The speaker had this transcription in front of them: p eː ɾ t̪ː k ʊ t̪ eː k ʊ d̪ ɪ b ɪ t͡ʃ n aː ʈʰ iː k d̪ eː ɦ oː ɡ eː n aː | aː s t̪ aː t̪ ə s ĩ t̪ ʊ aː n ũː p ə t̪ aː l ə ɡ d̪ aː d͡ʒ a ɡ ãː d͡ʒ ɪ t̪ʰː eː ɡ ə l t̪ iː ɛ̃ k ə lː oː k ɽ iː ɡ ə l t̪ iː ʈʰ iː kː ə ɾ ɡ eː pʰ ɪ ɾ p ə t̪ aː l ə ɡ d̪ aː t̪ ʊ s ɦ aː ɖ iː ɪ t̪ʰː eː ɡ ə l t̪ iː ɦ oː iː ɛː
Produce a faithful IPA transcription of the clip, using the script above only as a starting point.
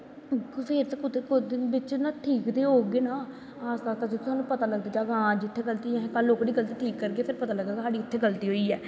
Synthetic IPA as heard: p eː ɾ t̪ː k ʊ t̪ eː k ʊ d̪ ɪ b ɪ t͡ʃ n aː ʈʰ iː k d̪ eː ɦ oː ɡ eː n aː | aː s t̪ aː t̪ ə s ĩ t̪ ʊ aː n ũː p ə t̪ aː l ə ɡ d̪ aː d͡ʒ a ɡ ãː d͡ʒ ɪ t̪ʰː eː ɡ ə l t̪ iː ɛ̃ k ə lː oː k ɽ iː ɡ ə l t̪ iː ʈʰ iː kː ə ɾ ɡ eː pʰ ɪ ɾ p ə t̪ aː l ə ɡ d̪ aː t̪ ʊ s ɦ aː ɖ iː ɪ t̪ʰː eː ɡ ə l t̪ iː ɦ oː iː ɛː